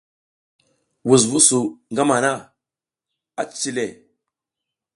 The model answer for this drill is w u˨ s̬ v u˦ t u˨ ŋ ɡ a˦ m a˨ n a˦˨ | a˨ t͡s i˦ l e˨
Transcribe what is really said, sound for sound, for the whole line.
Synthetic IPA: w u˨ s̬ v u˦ s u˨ ŋ ɡ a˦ m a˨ n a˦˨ | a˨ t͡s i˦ l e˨